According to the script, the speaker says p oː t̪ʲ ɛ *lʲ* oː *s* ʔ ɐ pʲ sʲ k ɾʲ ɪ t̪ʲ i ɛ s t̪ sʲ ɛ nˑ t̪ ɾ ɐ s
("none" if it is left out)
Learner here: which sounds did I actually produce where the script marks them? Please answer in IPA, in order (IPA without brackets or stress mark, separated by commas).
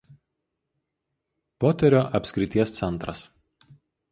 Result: ɾʲ, none